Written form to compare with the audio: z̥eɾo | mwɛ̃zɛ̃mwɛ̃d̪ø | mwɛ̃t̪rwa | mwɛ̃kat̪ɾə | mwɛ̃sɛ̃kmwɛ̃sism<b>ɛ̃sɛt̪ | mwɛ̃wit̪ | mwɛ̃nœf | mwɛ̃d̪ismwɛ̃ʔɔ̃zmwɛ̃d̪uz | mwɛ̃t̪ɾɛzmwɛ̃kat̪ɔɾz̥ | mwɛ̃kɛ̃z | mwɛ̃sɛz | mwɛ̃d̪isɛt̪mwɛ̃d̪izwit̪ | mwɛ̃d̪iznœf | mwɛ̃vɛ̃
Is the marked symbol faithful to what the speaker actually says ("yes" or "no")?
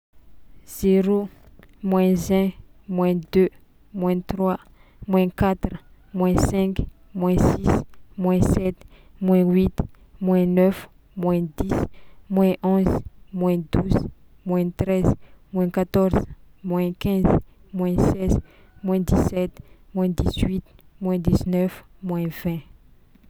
no